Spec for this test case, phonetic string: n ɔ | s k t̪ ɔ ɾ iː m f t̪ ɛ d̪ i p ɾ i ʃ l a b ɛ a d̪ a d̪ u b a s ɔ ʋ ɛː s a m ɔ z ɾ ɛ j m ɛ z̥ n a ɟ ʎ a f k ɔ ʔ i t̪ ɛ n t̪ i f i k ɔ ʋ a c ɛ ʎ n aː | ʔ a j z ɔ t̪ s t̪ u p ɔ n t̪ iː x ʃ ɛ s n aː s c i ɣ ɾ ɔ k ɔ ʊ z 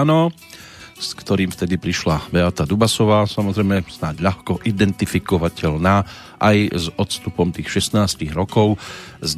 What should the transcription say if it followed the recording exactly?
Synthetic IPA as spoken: n ɔ | s k t̪ ɔ ɾ iː m f t̪ ɛ d̪ i p ɾ i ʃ l a b ɛ a t̪ a d̪ u b a s ɔ ʋ aː s a m ɔ z ɾ ɛ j m ɛ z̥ n a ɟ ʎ a x k ɔ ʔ i d̪ ɛ n t̪ i f i k ɔ ʋ a c ɛ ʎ n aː | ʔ a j z ɔ t̪ s t̪ u p ɔ m t̪ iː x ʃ ɛ s n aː s c i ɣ ɾ ɔ k ɔ ʊ z